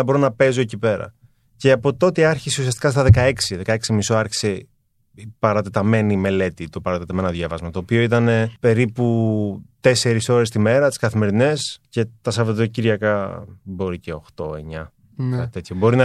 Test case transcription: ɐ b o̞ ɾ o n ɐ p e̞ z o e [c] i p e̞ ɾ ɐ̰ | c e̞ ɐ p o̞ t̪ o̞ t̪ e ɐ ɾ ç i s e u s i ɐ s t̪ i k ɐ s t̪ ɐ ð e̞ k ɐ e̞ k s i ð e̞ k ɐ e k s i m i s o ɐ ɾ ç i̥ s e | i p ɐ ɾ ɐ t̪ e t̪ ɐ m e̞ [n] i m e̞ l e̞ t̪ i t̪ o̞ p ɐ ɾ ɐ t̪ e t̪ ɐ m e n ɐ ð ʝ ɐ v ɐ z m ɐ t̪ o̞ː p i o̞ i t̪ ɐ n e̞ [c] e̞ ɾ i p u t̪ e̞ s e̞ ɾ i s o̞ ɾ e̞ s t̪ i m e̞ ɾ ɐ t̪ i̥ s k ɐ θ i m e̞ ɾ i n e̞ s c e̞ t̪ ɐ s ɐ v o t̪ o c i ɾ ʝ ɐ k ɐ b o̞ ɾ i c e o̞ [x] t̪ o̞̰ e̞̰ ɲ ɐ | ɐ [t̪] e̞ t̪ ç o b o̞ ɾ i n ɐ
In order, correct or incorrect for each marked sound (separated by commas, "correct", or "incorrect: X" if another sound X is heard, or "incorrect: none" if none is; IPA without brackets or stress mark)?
correct, correct, incorrect: p, correct, correct